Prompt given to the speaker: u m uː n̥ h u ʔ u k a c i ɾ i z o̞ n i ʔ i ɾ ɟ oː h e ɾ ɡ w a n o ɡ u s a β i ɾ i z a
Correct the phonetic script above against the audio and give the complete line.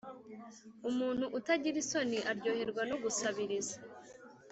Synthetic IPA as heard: u m uː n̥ h u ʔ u t a ɟ i ɾ i s o̞ n i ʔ a ɾ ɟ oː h e ɾ ɡ w a n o ɡ u s a β i ɾ i z a